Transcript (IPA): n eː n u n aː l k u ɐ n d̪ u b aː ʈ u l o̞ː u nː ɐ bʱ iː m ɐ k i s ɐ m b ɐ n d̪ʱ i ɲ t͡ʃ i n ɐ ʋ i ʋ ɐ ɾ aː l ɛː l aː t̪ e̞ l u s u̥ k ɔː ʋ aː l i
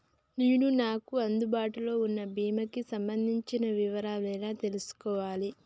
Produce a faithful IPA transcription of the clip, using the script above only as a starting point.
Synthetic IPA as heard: n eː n u n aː k u ɐ n d̪ u b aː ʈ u l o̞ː u nː ɐ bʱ iː m ɐ k i s ɐ m b ɐ n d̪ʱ i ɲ t͡ʃ i n ɐ ʋ i ʋ ɐ ɾ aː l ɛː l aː t̪ e̞ l u s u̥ k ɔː ʋ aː l i